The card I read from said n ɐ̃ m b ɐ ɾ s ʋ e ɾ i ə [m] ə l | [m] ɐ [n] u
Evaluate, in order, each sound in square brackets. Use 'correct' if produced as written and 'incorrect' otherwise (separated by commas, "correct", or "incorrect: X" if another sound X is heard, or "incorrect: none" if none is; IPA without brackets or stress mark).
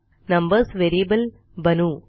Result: incorrect: b, incorrect: b, correct